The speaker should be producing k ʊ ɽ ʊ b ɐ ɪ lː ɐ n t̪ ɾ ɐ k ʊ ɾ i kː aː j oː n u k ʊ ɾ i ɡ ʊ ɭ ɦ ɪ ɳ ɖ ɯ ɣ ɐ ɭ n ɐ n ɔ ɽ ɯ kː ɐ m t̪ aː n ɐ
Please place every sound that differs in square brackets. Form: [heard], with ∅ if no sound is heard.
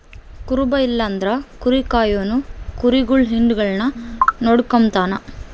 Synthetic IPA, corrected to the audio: k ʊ [ɾ] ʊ b ɐ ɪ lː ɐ n [d̪] ɾ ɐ k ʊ ɾ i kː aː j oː n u k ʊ ɾ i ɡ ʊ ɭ ɦ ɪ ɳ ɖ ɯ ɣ ɐ ɭ n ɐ n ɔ ɽ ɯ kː ɐ m t̪ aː n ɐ